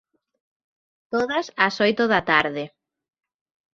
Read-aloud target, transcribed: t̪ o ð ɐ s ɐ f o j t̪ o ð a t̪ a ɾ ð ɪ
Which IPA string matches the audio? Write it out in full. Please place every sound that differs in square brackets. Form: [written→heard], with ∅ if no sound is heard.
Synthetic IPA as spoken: t̪ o ð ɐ s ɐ [f→s] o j t̪ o ð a t̪ a ɾ ð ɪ